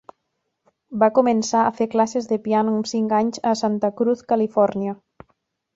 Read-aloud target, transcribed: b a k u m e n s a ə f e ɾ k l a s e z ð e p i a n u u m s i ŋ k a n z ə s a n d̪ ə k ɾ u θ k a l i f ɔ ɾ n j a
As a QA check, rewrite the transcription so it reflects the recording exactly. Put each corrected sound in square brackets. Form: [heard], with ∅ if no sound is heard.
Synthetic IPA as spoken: b a k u m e n s a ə f e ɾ k l a s e z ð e p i a n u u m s i ŋ k a [ɲ] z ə s a n [t̪] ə k ɾ u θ k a l i f ɔ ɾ n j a